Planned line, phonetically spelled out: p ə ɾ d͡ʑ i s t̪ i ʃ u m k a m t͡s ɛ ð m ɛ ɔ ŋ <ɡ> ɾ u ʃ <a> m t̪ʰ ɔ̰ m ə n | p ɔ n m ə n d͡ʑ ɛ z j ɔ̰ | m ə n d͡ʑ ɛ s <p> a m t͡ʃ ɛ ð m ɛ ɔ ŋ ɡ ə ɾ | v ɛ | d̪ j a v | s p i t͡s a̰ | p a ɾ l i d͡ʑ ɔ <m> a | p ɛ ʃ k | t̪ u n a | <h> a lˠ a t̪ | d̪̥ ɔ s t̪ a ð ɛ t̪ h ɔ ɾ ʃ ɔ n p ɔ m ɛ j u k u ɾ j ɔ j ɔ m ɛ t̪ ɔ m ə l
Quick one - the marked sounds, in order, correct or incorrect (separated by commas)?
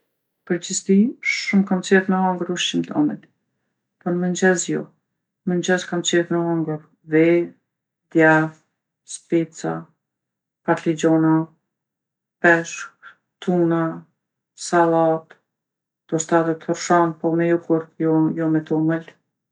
correct, incorrect, incorrect, incorrect, incorrect